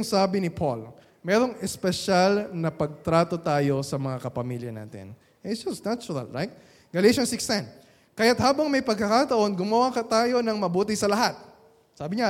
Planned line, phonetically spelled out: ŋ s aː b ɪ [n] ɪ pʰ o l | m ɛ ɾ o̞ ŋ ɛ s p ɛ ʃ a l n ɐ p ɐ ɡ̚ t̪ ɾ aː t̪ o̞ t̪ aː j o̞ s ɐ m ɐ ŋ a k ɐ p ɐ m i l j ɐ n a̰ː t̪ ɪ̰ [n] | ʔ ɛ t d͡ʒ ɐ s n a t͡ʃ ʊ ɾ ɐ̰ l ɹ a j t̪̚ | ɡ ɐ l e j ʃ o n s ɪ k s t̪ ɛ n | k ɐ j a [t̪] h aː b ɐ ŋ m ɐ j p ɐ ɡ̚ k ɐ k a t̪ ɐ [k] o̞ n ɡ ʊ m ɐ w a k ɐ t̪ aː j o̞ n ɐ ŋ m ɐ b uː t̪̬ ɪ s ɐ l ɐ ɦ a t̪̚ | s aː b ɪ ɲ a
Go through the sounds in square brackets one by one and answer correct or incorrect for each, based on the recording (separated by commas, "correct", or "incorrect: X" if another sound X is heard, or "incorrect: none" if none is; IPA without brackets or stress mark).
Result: correct, correct, correct, incorrect: ʔ